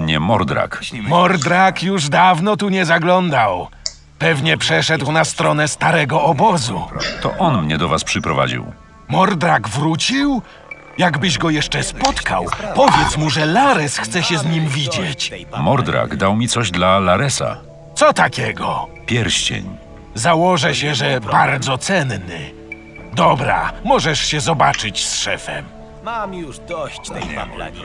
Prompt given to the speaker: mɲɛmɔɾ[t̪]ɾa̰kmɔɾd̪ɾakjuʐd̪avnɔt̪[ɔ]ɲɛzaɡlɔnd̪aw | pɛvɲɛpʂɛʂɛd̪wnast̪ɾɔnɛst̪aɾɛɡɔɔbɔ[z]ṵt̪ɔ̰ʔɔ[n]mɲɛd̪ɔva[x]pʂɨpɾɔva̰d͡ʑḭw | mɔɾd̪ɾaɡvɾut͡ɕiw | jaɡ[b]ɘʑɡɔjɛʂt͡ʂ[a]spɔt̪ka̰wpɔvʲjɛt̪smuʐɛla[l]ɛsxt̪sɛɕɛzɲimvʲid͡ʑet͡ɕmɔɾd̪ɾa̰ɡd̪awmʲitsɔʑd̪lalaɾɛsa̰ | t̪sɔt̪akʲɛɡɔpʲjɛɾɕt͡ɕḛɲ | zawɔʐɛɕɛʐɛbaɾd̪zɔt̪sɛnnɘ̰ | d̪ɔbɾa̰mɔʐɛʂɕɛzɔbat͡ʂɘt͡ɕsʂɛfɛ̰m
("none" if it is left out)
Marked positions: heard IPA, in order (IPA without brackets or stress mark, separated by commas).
d̪, u, z, n, s, b, ɛ, ɾ